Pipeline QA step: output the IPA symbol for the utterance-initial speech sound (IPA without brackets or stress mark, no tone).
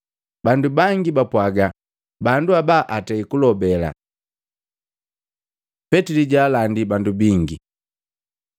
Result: b